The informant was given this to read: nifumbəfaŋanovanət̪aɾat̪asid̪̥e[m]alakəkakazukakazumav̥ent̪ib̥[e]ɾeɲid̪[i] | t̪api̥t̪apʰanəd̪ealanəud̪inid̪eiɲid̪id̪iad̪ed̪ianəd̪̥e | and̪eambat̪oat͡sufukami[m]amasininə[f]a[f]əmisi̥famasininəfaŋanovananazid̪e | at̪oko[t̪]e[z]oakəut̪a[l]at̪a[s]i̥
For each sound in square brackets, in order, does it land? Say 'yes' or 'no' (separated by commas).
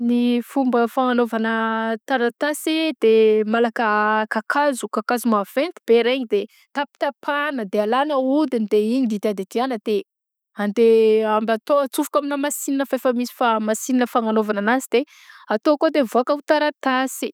yes, yes, no, no, yes, yes, no, no, no, yes